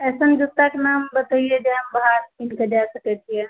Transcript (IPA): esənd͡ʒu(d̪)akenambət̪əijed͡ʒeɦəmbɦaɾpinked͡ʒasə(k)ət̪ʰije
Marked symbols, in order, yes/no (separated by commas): no, yes